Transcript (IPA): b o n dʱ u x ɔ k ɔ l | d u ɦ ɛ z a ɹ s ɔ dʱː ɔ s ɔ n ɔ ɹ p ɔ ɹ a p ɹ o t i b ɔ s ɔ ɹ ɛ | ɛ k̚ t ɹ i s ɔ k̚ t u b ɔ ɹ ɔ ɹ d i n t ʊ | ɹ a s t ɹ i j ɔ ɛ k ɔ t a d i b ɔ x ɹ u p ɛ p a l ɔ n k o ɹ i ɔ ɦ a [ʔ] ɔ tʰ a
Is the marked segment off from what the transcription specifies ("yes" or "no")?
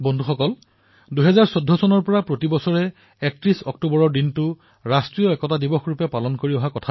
yes